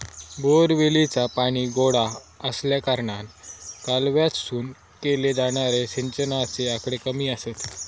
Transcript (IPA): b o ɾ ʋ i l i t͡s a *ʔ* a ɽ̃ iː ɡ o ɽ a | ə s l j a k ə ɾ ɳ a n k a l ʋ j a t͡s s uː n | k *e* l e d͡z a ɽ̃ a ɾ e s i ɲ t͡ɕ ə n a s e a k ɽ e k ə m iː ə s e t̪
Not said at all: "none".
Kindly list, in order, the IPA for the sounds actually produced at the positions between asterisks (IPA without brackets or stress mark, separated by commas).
p, e